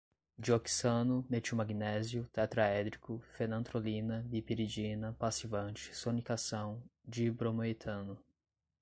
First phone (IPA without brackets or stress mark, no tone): d͡ʒ